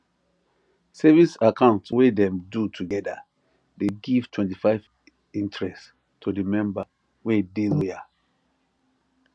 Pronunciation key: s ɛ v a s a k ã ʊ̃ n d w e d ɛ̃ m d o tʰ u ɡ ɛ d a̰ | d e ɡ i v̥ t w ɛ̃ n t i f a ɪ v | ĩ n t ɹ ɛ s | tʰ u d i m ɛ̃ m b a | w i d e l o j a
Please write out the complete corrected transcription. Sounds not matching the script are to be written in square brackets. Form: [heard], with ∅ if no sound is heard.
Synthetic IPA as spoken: s ɛ v [i] s a k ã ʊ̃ n [t] w e d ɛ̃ m d [u] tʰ u ɡ ɛ d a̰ | d e ɡ i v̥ t w ɛ̃ n t i f a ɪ v | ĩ n t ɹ ɛ s | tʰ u d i m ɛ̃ m b a | w [e] d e l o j a